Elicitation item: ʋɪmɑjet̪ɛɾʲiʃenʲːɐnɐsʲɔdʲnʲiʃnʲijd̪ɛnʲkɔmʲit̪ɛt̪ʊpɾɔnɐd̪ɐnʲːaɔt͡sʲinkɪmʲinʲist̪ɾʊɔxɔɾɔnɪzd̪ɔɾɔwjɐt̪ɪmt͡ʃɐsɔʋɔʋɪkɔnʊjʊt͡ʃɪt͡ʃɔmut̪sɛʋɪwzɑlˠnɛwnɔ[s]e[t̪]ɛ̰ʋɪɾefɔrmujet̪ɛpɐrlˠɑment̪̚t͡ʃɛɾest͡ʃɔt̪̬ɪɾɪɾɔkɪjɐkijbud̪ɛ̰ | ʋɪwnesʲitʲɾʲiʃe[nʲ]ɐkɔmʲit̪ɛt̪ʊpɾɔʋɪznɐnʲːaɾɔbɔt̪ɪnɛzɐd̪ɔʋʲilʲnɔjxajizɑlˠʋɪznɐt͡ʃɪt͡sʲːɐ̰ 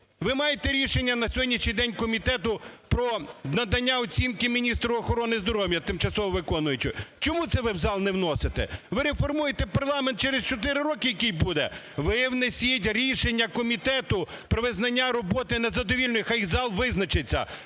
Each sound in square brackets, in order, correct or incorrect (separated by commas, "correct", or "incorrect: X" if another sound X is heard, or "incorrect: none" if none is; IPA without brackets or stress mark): correct, correct, incorrect: nʲː